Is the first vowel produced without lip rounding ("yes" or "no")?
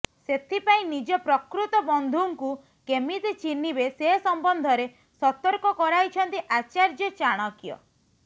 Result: yes